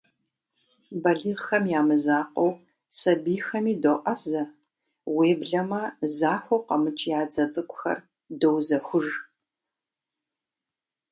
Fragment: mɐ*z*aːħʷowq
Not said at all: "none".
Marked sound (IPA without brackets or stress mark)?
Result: z